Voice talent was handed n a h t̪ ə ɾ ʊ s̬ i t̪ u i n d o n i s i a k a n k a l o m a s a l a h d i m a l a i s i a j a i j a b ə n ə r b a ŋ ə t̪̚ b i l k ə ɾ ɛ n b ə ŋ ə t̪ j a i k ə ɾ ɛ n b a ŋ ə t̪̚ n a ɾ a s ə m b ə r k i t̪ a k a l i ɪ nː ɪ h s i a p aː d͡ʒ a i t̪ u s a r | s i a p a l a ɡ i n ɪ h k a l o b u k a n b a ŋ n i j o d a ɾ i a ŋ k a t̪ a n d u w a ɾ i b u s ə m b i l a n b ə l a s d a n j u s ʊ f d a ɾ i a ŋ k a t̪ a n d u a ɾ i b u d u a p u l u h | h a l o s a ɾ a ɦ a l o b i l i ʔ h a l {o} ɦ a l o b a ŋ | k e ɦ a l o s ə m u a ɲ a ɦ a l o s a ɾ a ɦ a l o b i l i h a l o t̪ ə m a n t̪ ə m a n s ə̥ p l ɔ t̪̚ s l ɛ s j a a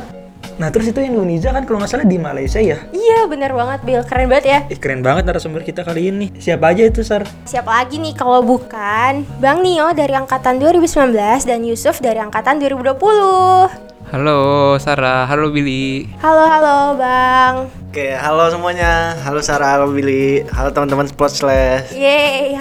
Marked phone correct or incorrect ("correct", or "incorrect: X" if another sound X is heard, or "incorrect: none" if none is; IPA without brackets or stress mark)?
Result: correct